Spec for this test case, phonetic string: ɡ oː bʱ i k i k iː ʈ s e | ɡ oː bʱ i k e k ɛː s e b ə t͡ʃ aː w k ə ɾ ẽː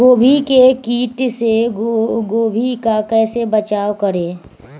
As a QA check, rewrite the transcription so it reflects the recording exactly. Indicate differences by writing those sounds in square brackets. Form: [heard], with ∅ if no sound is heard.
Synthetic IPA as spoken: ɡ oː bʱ i k [e] k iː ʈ s e | ɡ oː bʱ i k [a] k ɛː s e b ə t͡ʃ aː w k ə ɾ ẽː